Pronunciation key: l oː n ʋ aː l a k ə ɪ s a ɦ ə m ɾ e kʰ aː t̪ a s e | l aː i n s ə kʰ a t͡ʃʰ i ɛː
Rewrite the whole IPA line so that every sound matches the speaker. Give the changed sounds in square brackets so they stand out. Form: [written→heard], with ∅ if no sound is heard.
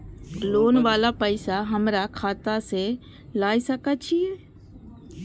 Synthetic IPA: l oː n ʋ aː l a [k→p] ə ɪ s a ɦ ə m ɾ [e→a] kʰ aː t̪ a s e | l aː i [n→∅] s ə [kʰ→k] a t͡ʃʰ i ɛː